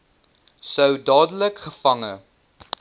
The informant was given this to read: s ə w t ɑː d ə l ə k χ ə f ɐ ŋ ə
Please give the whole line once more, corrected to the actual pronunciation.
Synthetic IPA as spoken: s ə w d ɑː d ə l ə k χ ə f ɐ ŋ ə